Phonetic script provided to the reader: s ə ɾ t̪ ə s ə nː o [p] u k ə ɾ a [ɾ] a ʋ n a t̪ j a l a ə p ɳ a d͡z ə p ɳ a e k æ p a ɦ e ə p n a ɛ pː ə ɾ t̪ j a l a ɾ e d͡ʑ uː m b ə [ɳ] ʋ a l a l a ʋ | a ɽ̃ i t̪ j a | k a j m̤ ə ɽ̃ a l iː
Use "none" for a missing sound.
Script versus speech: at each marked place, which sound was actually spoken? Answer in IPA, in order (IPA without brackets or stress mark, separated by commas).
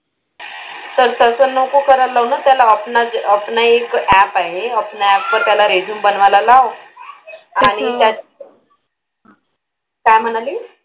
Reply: k, l, n